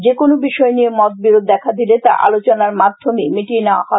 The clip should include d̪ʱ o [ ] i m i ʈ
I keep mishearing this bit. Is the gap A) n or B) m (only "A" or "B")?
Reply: B